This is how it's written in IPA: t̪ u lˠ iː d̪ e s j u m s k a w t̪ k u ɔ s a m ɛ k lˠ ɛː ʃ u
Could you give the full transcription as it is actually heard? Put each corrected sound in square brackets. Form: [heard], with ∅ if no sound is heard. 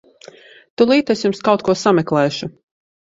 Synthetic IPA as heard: t̪ u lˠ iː [t̪] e s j u m s k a w t̪ k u ɔ s a m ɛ k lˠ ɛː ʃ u